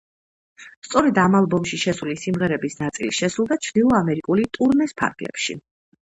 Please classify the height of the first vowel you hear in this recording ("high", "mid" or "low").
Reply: mid